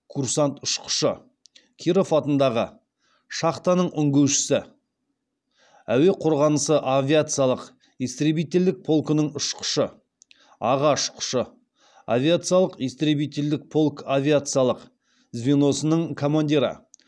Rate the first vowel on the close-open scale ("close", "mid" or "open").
close